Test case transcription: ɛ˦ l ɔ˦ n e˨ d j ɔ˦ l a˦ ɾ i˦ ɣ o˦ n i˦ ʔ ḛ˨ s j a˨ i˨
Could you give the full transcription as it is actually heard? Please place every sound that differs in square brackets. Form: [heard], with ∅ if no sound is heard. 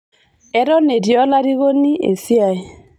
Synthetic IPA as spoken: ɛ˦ [ɾ] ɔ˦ n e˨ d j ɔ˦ l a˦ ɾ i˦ ɣ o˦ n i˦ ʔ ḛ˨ s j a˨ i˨